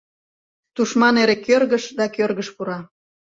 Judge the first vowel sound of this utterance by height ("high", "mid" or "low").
high